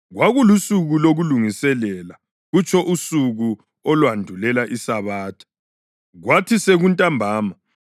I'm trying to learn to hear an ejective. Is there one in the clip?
yes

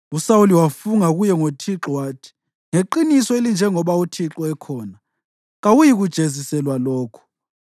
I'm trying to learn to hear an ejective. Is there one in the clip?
no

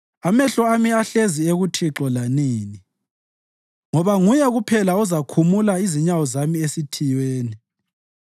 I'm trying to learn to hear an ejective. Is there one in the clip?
no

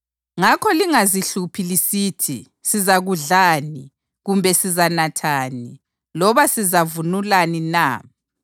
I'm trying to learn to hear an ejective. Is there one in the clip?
no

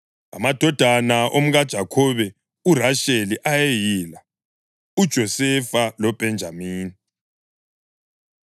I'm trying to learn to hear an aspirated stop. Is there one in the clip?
yes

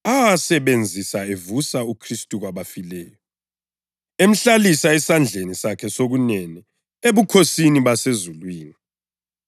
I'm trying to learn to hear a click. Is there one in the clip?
no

